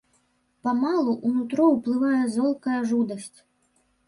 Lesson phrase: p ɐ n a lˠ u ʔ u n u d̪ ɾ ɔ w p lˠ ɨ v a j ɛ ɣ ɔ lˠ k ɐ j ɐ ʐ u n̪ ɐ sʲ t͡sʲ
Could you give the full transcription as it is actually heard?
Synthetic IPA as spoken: p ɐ m a lˠ u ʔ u n u t̪ ɾ ɔ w p lˠ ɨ v a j ɛ z ɔ lˠ k ɐ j ɐ ʐ u d̪ ɐ sʲ t͡sʲ